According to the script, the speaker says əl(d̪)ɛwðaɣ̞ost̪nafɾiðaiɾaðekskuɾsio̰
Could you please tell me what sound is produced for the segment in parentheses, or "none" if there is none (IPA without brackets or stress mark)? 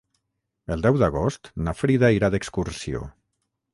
d̪